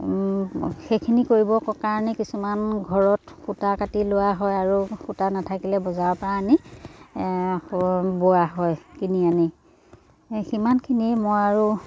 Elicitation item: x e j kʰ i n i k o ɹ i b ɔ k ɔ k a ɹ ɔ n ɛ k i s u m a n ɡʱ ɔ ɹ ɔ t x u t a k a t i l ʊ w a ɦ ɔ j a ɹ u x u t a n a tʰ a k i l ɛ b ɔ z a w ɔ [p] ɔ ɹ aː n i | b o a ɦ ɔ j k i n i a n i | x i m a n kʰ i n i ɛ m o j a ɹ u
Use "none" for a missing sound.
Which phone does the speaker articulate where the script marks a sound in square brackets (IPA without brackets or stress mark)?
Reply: p